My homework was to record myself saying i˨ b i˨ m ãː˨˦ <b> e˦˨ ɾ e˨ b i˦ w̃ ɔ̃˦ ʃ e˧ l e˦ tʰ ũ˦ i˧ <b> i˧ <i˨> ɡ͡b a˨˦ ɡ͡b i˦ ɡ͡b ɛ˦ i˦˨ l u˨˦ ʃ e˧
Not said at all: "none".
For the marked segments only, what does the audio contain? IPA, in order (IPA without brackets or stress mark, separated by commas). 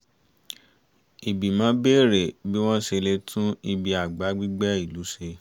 b, b, a˨